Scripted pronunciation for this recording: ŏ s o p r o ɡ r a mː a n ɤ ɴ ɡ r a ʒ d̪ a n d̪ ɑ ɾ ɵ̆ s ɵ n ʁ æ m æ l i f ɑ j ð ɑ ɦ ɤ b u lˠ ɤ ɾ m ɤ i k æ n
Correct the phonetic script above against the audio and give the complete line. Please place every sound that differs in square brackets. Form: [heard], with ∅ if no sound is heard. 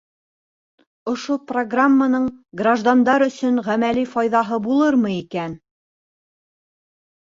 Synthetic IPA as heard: ŏ [ʃ] o p r o ɡ r a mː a n ɤ ɴ ɡ r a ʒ d̪ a n d̪ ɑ ɾ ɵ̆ s ɵ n ʁ æ m æ l i f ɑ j ð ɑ ɦ ɤ b u lˠ ɤ ɾ m ɤ i k æ n